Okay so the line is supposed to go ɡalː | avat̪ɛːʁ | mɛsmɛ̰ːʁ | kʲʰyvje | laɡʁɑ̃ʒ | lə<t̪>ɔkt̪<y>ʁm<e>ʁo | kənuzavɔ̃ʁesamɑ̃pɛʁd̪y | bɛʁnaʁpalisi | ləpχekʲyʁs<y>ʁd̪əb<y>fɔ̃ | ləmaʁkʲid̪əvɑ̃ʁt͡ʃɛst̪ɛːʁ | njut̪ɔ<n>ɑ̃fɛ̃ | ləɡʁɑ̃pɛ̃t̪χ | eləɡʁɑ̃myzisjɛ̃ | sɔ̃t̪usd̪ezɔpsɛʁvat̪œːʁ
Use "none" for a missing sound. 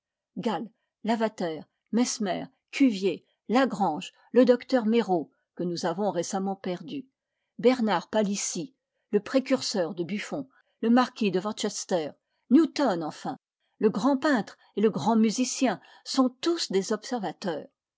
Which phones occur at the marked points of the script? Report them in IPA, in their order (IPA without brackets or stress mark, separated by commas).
d̪, œ, e, œ, y, n